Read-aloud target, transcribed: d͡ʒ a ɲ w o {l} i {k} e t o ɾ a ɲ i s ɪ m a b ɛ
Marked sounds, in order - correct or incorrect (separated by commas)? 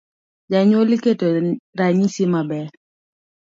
correct, correct